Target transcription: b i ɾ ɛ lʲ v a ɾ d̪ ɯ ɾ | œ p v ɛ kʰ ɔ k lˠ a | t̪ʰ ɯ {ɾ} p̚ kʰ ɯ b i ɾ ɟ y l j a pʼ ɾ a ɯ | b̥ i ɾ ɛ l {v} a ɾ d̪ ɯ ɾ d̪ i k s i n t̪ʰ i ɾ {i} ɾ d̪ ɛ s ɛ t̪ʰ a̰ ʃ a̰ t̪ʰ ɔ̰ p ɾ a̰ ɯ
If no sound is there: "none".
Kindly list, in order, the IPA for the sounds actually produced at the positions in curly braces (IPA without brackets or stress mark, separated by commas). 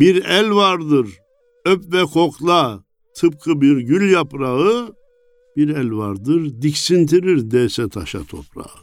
none, v, i